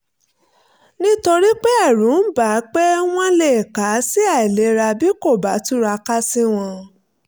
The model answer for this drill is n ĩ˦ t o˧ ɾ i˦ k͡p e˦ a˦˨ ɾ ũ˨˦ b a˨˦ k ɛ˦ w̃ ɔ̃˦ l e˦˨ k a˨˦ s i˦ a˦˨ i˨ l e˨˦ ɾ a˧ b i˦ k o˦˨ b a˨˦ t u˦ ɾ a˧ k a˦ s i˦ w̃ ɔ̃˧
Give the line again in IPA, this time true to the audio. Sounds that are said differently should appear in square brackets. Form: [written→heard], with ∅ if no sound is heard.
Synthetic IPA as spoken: n ĩ˦ t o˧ ɾ i˦ k͡p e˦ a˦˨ ɾ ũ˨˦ b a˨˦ [k→k͡p] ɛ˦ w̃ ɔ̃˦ l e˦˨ k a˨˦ s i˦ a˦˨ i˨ l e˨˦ ɾ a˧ b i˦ k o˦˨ b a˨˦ t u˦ ɾ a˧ k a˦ s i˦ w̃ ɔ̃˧